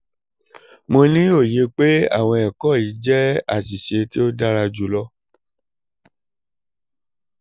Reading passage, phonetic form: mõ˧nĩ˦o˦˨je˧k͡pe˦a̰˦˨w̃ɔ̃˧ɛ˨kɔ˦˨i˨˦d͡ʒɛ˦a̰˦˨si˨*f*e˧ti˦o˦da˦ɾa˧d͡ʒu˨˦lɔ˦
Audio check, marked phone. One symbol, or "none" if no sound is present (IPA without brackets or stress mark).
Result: ʃ